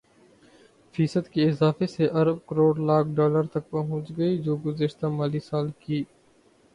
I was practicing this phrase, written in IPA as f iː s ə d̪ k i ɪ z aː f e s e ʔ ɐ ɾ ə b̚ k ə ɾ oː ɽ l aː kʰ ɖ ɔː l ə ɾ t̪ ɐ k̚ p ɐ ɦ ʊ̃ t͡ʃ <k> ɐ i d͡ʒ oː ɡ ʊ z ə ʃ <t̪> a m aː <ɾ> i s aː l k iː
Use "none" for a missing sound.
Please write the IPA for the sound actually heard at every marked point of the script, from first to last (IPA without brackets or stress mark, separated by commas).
ɡ, t̪, l